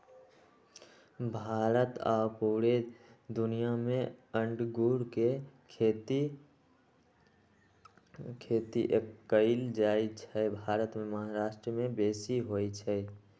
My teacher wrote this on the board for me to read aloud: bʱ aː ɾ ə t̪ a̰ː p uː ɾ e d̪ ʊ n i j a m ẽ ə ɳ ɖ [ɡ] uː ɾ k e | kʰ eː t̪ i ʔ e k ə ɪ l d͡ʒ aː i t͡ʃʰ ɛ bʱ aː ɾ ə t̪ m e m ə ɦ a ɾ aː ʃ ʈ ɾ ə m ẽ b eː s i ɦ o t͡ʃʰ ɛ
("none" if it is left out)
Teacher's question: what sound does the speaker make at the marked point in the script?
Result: ɡ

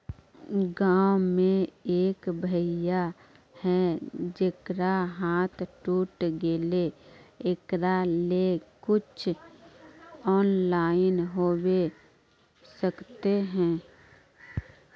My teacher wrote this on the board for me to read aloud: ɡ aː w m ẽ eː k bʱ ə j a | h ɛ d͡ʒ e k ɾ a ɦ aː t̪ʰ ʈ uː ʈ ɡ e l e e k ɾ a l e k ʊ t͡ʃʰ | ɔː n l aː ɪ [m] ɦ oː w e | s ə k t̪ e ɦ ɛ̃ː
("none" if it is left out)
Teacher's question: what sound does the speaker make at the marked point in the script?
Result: n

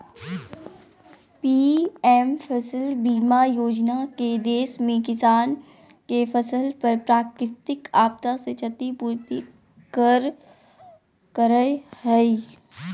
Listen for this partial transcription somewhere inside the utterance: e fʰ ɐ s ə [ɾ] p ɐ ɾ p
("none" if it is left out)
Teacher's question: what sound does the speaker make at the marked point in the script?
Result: l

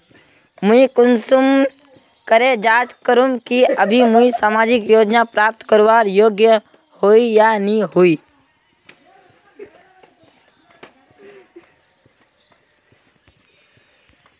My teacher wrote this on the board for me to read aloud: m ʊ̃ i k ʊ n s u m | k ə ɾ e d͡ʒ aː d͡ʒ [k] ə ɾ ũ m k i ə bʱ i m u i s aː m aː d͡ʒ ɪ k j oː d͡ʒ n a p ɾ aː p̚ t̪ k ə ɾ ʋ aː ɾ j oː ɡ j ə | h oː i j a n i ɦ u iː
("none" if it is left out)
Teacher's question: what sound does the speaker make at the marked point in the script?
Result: k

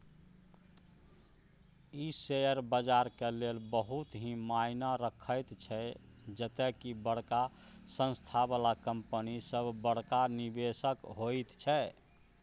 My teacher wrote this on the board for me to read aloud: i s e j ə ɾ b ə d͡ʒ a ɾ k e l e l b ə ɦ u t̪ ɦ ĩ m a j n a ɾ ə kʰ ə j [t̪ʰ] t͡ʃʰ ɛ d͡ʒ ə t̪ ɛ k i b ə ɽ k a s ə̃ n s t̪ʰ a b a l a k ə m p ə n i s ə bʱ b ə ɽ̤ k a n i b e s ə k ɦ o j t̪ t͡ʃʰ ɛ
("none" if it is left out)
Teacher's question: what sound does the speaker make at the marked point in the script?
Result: t̪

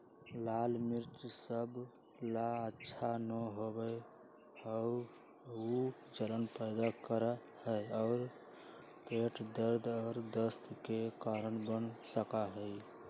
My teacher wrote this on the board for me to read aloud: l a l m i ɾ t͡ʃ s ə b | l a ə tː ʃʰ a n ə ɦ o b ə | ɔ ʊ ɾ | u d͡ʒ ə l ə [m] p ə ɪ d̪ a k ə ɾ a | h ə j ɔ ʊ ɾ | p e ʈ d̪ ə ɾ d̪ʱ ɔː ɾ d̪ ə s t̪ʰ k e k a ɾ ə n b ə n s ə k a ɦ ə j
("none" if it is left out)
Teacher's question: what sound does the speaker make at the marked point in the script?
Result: n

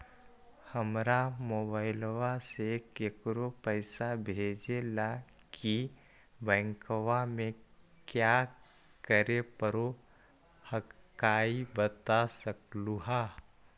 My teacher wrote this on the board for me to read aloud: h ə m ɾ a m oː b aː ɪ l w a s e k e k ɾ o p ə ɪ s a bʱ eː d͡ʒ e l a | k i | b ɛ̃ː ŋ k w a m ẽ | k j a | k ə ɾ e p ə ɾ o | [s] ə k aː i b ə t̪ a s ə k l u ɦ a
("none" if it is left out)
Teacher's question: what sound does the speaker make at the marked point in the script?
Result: h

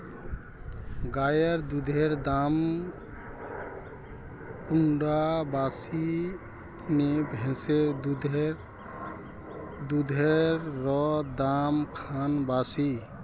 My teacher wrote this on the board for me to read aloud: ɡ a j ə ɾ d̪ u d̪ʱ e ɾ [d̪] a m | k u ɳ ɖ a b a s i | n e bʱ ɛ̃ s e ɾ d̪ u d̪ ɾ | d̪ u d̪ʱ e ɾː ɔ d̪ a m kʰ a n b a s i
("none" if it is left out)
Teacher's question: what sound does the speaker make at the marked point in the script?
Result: d̪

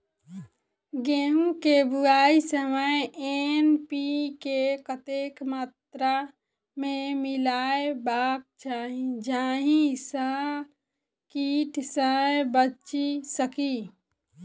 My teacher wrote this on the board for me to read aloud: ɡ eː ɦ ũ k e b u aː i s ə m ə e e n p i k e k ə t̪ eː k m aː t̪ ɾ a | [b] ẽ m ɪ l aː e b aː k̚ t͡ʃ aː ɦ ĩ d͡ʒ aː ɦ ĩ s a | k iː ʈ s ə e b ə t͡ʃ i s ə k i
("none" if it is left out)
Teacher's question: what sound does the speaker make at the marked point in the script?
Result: m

